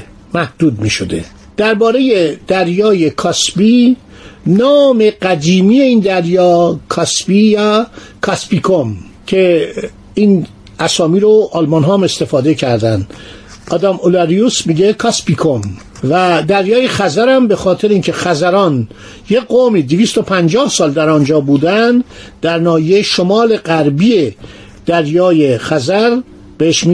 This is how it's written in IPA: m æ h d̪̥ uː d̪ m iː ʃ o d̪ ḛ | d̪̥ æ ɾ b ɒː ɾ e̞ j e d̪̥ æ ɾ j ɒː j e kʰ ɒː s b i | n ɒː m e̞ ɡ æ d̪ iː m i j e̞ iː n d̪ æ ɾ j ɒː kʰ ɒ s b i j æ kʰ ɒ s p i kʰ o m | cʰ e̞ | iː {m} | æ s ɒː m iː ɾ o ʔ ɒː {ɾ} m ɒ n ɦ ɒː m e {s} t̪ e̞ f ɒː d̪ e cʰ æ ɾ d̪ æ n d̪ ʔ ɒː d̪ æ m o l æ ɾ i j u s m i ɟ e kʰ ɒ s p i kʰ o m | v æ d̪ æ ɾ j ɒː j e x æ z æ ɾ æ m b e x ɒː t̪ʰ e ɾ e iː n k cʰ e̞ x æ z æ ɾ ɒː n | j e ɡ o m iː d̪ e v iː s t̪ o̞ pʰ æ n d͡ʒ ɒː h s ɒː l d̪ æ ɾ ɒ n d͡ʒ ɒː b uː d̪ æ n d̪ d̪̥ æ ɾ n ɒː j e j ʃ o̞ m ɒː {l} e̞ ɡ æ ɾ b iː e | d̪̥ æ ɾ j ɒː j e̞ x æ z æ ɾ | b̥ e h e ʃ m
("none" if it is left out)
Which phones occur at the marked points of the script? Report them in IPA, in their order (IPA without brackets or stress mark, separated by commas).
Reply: n, l, s, l